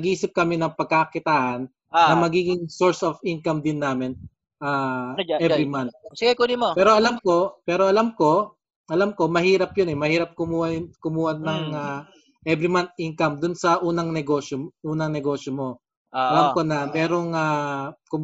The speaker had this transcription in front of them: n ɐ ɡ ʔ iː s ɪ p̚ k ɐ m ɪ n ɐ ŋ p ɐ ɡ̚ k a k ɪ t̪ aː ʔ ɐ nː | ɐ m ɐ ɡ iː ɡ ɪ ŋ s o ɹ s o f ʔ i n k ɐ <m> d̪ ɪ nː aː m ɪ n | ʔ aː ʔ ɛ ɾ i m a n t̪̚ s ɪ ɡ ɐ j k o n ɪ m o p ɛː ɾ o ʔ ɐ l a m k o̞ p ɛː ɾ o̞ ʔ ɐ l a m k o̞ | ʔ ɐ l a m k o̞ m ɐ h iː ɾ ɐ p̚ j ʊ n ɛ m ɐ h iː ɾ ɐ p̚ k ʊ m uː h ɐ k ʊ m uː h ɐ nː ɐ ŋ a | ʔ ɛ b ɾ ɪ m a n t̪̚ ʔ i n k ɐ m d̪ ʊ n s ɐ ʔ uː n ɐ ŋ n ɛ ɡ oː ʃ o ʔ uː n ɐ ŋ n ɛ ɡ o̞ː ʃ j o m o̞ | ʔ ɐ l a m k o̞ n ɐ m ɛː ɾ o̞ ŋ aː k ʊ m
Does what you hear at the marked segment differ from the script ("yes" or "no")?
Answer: no